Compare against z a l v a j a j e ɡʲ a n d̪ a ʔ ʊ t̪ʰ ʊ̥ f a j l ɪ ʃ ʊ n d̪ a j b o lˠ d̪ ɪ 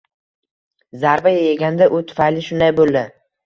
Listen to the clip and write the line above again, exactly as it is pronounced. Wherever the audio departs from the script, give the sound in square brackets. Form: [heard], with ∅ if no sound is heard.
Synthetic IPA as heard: z a [ɾ] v a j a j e ɡʲ a n d̪ a ʔ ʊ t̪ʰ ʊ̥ f a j l ɪ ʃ ʊ n d̪ a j b o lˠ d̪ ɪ